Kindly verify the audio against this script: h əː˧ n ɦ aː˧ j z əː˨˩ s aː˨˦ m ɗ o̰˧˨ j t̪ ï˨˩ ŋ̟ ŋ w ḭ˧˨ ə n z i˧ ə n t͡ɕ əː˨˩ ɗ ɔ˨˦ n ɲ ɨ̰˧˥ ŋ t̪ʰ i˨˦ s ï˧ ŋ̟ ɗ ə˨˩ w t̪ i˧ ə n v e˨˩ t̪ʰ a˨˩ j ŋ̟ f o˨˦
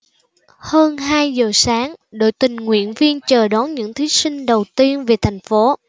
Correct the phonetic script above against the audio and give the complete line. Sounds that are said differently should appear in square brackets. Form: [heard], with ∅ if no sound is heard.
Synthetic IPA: h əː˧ n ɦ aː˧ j z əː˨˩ s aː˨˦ [ŋ] ɗ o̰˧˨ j t̪ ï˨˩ ŋ̟ ŋ w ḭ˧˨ ə n [v] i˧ ə n t͡ɕ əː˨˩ ɗ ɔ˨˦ n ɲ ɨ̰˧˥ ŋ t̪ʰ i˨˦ s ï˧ ŋ̟ ɗ ə˨˩ w t̪ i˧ ə n v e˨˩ t̪ʰ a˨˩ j ŋ̟ f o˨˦